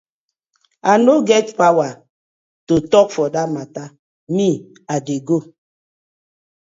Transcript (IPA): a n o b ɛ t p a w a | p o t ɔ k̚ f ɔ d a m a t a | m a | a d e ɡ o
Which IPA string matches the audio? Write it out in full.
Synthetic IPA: a n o ɡ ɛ t p a w a | t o t ɔ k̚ f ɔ d a m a t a | m i | a d e ɡ o